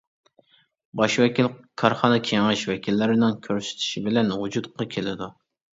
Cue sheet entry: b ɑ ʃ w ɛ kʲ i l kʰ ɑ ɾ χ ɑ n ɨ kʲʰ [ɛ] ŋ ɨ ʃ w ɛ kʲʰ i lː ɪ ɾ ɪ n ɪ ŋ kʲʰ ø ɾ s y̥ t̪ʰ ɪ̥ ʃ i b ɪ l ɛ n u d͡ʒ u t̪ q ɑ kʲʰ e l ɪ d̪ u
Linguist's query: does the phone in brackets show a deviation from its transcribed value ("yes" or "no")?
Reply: yes